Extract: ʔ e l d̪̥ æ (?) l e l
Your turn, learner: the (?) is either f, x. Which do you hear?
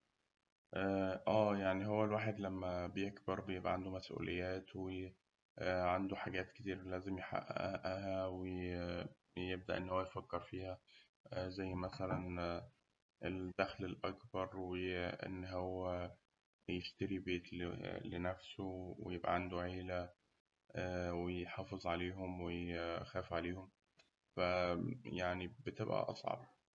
x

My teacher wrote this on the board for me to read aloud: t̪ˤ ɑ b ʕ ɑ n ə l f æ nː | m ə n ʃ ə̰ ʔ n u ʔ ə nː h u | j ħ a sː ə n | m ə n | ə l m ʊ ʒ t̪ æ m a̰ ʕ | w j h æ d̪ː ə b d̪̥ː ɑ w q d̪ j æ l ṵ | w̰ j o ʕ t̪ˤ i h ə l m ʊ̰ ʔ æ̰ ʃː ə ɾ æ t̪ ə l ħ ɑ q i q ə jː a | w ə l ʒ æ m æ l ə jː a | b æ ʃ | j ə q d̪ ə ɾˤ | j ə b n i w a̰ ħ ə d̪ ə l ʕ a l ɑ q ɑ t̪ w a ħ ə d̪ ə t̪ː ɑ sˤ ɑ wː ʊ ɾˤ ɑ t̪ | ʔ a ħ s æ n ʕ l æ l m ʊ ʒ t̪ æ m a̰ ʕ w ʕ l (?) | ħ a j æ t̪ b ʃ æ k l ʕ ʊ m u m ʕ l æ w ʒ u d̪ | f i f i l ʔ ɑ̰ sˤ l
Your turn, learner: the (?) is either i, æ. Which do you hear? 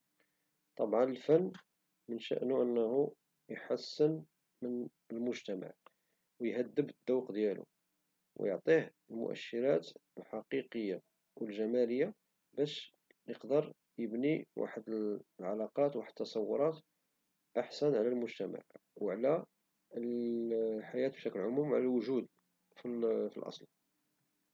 æ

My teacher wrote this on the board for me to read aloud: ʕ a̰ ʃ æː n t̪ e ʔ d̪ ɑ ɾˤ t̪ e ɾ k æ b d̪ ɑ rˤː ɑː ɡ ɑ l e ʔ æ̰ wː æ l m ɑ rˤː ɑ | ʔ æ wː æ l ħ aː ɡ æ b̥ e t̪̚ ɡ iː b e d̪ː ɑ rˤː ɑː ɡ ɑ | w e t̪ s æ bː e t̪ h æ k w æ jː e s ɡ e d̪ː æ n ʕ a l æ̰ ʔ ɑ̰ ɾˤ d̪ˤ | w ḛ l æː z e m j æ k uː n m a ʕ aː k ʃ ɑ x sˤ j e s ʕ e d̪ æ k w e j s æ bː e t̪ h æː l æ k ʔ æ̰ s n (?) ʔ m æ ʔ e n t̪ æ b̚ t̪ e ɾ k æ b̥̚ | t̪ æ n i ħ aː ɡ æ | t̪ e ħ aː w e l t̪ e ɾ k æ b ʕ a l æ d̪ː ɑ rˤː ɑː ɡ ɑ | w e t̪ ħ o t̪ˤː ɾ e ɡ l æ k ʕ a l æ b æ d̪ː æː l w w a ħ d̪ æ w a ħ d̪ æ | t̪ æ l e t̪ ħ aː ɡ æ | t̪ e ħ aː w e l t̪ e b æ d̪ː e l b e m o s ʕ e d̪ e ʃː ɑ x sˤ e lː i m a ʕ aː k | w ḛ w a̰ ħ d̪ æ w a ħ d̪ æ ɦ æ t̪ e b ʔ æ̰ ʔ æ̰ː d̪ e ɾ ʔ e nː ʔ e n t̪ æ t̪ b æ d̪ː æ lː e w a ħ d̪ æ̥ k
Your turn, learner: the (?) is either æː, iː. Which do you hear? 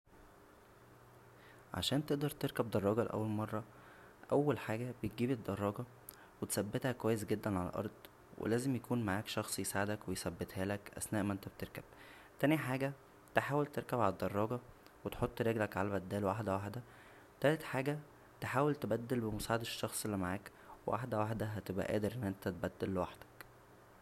æː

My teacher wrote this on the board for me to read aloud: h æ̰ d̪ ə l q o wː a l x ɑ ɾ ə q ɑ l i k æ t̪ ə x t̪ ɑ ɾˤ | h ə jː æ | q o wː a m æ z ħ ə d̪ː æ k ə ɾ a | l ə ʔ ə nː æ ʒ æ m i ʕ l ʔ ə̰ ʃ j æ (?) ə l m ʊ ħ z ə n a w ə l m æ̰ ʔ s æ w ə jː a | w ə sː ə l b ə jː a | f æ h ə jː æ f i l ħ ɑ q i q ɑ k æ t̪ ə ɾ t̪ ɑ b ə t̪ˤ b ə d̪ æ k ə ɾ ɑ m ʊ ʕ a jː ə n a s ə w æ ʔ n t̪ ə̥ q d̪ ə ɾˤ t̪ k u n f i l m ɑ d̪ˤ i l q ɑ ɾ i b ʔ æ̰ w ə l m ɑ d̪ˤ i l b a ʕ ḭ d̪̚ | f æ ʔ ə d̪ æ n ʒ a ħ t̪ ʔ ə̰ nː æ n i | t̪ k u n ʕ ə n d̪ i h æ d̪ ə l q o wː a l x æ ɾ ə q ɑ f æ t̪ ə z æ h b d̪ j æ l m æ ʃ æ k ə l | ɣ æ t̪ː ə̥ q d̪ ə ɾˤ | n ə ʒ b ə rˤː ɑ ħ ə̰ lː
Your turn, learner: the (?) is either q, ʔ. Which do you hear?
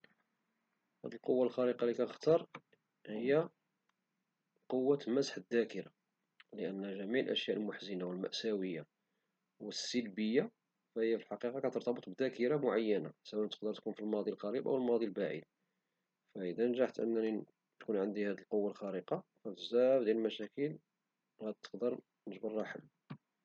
ʔ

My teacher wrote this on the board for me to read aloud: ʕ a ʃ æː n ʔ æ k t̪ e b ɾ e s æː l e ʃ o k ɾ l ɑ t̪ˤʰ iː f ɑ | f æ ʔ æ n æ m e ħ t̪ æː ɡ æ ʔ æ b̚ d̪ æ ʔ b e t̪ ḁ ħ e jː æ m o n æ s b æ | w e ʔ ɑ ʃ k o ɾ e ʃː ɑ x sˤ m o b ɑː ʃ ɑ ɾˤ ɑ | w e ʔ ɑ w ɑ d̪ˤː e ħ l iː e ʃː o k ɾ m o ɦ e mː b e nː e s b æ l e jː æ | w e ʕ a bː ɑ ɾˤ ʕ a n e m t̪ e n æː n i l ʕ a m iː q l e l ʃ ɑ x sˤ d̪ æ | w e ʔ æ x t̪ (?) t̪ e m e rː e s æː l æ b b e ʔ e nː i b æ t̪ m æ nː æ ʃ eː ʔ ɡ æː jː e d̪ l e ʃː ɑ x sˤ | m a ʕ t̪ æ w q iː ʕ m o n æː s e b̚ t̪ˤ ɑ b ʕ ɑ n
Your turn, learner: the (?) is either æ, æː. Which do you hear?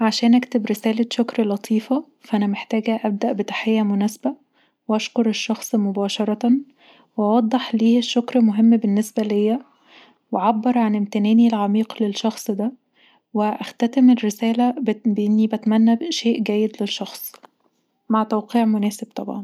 æ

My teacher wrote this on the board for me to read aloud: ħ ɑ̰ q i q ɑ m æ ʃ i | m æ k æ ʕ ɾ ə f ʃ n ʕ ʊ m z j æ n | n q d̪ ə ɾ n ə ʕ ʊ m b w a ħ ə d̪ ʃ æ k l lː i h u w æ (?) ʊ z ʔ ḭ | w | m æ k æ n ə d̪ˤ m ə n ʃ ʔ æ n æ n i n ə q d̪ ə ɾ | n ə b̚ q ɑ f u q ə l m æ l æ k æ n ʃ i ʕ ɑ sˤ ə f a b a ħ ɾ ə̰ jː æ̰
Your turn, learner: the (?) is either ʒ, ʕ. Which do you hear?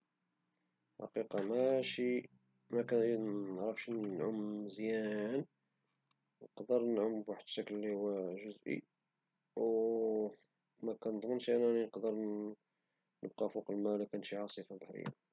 ʒ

